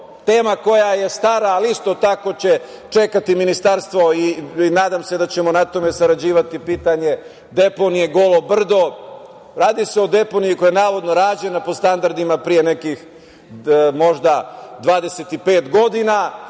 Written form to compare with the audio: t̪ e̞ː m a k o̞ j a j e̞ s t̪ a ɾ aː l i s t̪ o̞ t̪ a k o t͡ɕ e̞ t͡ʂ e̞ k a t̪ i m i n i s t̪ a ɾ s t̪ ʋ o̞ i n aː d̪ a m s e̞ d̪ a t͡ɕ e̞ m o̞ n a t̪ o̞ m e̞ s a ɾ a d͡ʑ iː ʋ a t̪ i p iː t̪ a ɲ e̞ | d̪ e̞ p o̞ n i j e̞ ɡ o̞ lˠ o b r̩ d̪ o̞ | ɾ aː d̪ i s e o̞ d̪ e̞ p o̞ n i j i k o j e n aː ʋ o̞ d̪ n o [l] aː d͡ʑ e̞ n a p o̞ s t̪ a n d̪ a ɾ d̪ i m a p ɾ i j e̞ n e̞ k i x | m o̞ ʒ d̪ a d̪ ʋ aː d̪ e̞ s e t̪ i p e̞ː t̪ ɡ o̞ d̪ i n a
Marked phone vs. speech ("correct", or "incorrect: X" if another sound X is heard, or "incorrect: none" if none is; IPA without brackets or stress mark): incorrect: ɾ